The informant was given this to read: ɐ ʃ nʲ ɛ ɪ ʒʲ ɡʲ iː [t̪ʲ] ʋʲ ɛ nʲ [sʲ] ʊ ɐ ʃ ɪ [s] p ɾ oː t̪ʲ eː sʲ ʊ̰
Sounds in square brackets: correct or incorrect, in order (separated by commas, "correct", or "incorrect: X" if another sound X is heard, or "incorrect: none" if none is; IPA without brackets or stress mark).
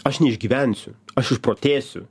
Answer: incorrect: none, correct, incorrect: ʃ